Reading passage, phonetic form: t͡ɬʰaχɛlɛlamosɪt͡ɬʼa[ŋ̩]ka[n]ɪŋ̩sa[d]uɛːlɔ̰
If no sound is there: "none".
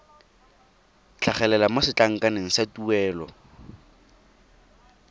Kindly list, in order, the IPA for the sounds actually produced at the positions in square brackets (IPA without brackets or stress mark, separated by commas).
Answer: ŋ̩, n, t